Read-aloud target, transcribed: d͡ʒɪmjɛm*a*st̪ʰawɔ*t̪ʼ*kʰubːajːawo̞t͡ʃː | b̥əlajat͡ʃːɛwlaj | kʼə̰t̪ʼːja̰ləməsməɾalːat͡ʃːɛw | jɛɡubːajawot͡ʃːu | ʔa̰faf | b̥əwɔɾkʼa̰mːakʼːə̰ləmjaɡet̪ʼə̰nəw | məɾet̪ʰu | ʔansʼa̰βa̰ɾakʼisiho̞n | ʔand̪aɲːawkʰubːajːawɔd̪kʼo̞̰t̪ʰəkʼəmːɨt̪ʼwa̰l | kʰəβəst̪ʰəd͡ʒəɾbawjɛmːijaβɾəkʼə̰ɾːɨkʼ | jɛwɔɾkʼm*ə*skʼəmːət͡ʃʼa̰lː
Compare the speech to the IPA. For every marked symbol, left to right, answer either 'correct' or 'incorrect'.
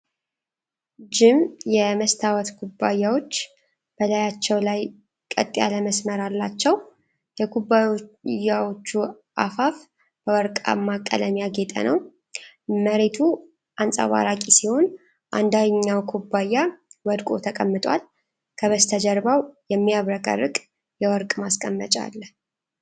incorrect: ə, incorrect: t̪, incorrect: a

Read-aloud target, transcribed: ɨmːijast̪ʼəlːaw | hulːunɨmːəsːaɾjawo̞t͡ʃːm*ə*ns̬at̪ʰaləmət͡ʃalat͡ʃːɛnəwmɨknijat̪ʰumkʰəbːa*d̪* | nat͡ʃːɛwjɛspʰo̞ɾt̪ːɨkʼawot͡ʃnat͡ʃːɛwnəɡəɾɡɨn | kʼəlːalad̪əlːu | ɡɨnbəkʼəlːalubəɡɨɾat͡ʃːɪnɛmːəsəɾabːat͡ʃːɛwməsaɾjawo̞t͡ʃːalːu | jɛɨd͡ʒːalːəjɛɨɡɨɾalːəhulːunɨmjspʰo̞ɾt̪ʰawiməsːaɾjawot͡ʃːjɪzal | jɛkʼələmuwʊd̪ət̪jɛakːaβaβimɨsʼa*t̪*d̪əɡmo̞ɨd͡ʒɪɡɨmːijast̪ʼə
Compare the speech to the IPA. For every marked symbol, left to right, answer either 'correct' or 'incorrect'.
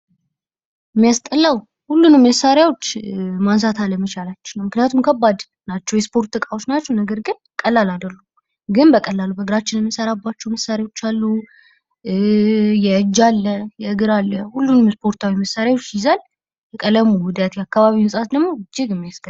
incorrect: a, correct, correct

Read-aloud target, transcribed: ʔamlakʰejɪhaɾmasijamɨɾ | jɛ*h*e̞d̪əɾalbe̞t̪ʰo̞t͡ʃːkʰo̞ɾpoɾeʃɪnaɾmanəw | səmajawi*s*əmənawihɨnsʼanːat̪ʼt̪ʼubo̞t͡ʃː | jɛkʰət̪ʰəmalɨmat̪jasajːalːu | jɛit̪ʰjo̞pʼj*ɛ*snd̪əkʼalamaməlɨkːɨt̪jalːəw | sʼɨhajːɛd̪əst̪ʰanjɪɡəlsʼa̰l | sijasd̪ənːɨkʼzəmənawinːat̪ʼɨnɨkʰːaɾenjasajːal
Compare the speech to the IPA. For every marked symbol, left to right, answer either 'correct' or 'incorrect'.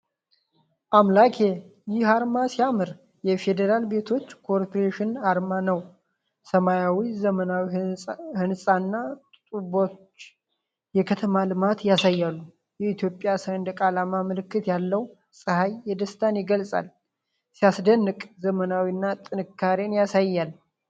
incorrect: f, incorrect: z, incorrect: a

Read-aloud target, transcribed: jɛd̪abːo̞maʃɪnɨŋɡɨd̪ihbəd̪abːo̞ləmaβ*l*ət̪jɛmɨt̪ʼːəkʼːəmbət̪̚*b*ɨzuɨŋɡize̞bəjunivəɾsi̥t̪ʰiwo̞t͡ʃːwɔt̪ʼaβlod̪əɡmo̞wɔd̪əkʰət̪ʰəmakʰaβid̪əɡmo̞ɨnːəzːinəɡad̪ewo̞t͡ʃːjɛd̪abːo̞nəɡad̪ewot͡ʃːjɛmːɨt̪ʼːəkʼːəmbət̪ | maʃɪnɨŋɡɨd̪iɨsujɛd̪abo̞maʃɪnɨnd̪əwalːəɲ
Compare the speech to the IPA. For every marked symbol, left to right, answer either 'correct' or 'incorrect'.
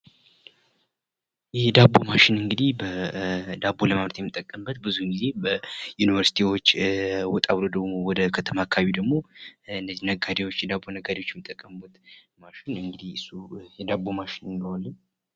incorrect: ɾ, correct

